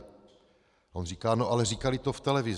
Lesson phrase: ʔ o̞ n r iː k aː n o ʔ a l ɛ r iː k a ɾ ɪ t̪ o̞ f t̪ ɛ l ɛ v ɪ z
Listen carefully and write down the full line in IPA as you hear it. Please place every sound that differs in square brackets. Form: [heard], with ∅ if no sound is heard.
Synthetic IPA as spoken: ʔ o̞ n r iː k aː n o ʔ a l ɛ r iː k a [l] ɪ t̪ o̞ f t̪ ɛ l ɛ v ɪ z